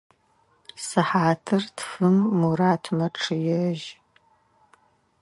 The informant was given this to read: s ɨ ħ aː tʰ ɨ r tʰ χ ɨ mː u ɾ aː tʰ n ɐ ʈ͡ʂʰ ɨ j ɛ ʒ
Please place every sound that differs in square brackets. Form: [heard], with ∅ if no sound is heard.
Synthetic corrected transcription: s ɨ ħ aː tʰ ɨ r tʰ [f] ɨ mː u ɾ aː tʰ [m] ɐ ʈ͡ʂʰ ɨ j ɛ ʒ